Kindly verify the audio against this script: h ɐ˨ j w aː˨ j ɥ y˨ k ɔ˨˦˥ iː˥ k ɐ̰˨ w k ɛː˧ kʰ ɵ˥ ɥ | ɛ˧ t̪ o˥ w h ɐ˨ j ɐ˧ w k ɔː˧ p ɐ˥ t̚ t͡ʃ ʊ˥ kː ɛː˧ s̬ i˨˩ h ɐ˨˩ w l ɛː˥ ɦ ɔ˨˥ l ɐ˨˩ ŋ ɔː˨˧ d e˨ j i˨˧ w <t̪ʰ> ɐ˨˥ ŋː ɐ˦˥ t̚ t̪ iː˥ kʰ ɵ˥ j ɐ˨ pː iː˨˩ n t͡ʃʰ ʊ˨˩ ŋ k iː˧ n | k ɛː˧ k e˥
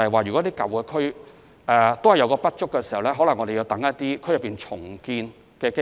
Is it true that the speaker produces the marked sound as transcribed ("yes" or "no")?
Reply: no